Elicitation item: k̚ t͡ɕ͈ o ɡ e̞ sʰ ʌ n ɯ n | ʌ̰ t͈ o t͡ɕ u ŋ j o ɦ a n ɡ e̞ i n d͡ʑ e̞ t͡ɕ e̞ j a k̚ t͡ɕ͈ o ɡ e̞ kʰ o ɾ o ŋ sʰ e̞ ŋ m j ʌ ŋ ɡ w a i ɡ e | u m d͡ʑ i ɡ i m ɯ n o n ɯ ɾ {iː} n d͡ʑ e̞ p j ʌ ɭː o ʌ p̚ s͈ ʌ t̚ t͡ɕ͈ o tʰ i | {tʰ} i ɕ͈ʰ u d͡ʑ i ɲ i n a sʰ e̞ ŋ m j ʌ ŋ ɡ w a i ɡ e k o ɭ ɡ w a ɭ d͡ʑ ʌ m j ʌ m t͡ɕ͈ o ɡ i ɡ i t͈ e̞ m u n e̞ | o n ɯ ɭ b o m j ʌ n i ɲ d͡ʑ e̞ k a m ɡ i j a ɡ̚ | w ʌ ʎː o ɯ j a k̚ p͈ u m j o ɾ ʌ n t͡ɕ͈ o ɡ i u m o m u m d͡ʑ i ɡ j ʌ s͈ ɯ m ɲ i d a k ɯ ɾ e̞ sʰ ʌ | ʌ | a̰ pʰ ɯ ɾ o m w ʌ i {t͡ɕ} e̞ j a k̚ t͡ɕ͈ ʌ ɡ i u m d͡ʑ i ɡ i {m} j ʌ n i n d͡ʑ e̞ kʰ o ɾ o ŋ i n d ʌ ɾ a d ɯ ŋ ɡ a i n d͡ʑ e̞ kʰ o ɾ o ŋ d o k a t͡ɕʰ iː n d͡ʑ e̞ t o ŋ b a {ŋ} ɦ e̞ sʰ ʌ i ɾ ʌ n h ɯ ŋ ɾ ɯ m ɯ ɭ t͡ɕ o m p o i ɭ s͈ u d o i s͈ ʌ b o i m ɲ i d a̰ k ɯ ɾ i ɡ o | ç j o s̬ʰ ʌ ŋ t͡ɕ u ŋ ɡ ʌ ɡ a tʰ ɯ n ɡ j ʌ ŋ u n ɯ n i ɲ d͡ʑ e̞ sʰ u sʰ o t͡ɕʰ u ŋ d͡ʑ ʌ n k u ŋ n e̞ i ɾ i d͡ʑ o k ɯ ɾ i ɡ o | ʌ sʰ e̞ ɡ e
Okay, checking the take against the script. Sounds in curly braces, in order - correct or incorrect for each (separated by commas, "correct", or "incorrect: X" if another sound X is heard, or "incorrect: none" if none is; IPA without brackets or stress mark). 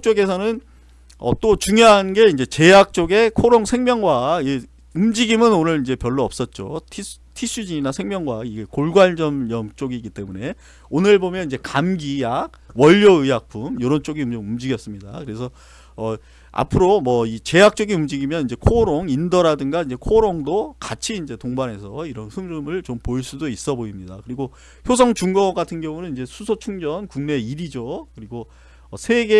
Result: incorrect: i, correct, correct, correct, incorrect: n